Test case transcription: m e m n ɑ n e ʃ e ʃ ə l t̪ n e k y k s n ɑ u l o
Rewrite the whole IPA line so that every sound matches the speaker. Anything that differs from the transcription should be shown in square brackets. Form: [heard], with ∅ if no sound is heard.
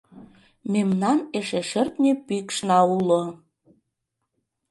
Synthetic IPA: m e m n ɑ n e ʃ e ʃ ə [r] t̪ n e [p] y k [ʃ] n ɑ u l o